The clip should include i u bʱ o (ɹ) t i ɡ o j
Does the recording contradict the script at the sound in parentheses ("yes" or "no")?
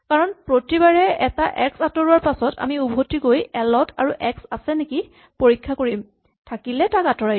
yes